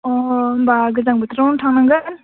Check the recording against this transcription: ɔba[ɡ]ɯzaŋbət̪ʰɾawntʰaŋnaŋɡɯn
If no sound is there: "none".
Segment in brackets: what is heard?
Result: ɡ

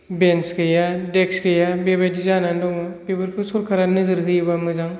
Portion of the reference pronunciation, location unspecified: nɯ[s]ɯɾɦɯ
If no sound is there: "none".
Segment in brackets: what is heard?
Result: z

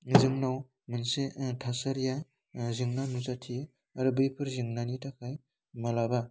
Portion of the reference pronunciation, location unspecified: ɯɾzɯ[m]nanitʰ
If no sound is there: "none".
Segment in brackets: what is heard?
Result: ŋ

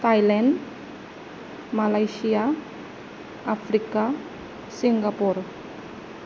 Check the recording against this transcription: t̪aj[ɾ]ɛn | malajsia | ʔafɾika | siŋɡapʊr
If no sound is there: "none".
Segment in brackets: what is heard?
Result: l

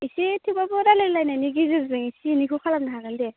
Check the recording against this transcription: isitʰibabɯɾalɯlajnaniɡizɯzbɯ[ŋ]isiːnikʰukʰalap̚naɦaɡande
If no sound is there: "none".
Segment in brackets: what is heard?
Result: ŋ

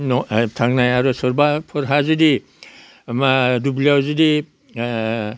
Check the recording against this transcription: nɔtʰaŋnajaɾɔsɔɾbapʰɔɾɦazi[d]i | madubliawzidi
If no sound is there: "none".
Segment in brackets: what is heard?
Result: d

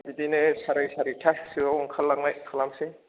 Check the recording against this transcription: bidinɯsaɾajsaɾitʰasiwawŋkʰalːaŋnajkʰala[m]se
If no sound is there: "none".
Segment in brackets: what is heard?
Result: m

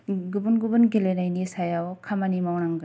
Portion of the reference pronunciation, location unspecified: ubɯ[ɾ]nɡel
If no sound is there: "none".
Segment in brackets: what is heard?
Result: none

